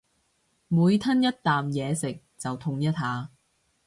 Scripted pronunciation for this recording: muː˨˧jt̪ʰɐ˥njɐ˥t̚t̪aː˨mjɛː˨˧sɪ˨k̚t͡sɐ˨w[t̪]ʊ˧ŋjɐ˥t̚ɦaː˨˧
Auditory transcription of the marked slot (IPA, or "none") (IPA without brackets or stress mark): t̪ʰ